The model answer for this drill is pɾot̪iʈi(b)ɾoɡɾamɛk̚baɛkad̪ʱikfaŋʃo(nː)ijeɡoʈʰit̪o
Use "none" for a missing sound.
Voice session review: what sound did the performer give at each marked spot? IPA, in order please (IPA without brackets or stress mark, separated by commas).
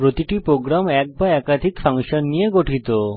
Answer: p, nː